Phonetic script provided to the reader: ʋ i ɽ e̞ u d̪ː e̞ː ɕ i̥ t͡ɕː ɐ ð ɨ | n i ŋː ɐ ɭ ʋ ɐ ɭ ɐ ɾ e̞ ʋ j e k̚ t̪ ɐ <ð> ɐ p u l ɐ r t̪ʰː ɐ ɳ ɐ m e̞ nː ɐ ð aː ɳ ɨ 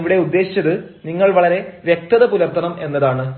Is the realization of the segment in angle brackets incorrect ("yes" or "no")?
no